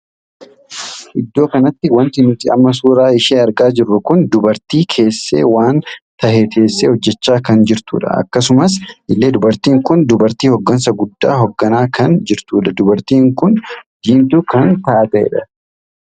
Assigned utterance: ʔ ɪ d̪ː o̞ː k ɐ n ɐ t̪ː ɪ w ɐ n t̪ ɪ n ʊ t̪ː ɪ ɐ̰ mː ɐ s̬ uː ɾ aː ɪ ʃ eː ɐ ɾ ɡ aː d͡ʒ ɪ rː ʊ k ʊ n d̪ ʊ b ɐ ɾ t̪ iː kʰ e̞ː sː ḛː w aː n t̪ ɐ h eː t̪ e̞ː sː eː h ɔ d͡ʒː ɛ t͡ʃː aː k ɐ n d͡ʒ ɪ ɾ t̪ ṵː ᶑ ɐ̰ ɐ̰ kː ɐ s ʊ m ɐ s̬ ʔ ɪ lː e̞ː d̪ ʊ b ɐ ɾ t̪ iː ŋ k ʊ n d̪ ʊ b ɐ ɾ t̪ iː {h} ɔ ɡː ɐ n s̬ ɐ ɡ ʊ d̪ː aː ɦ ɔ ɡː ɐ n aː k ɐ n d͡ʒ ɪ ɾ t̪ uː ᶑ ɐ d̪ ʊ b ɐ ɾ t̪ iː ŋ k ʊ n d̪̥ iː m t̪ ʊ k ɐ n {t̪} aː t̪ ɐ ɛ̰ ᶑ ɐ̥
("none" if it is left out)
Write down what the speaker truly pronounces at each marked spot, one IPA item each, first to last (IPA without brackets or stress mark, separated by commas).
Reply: h, t̪